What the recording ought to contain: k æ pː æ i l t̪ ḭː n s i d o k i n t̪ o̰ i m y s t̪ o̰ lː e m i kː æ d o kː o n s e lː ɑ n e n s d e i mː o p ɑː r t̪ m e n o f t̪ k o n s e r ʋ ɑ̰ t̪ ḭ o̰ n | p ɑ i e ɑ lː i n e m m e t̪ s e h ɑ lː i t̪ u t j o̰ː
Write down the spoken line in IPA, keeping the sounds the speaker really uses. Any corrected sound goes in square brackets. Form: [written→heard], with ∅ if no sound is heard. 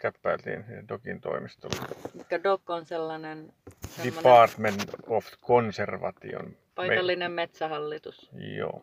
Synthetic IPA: k æ pː æ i l t̪ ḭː n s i d o k i n t̪ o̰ i m [y→i] s t̪ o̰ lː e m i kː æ d o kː o n s e lː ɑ n e n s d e i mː o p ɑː r t̪ m e n o f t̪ k o n s e r ʋ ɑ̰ t̪ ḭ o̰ n | p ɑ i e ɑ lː i n e m m e t̪ s [e→æ] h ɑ lː i t̪ u [t→s] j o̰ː